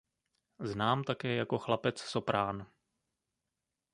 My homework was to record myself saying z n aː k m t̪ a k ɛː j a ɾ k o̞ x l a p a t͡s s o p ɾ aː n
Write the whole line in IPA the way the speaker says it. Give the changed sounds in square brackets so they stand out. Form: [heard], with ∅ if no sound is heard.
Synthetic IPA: z n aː [∅] m t̪ a k ɛː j a [∅] k o̞ x l a p [ɛ] t͡s s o p ɾ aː n